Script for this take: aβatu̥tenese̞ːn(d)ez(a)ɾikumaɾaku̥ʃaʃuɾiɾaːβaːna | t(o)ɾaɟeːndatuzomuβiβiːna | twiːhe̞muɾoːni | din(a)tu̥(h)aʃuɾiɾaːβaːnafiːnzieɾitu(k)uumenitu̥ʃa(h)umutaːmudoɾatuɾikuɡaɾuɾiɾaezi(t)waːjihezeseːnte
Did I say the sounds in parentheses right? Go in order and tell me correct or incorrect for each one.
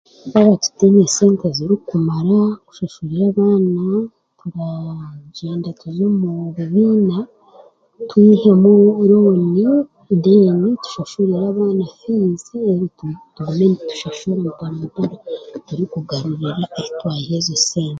incorrect: t, incorrect: i, incorrect: u, incorrect: i, incorrect: ʃ, incorrect: t, incorrect: ʃ, correct

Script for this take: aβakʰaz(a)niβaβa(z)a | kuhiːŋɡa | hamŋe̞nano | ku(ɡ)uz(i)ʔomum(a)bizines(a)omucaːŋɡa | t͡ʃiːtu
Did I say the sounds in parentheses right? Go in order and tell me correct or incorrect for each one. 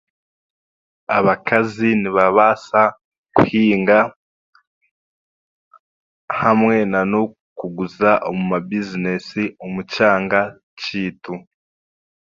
incorrect: i, incorrect: s, correct, incorrect: a, correct, incorrect: i

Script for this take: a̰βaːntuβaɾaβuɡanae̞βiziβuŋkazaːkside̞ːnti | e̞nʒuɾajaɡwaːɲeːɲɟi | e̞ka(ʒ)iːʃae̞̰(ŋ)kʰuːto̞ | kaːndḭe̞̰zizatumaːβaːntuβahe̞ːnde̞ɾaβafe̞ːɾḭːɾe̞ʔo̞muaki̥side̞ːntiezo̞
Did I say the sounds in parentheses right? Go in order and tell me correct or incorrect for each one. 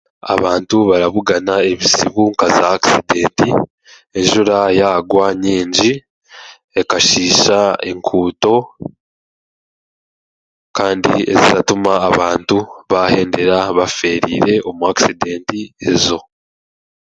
incorrect: ʃ, correct

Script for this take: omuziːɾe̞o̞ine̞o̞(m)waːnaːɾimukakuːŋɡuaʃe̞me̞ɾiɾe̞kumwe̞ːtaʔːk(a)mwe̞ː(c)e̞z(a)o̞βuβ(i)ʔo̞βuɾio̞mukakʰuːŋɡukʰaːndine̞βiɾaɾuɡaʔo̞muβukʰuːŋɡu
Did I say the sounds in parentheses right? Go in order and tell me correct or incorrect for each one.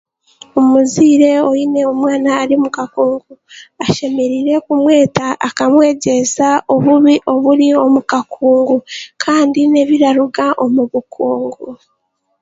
correct, correct, incorrect: ɟ, correct, correct

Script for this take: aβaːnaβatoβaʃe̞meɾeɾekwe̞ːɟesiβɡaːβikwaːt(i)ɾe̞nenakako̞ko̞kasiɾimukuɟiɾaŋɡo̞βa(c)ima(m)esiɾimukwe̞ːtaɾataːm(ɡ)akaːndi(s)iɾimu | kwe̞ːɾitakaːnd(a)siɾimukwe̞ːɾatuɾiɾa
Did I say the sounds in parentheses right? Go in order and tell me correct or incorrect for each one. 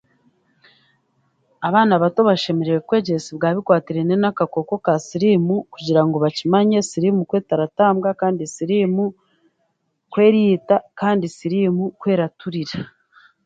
correct, correct, incorrect: ɲ, correct, correct, incorrect: i

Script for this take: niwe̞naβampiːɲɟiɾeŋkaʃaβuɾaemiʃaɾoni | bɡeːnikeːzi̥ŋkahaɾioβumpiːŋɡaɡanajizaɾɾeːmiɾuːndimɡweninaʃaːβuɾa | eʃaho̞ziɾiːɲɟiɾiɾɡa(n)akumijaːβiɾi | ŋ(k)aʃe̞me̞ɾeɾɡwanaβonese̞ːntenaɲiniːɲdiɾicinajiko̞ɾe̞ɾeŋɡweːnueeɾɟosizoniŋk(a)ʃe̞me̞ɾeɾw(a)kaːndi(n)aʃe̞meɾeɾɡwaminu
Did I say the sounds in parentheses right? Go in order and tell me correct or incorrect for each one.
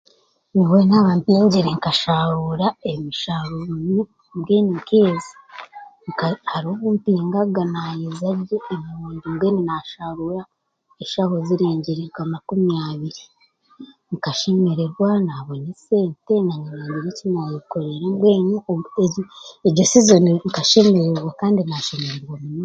incorrect: m, correct, correct, correct, correct

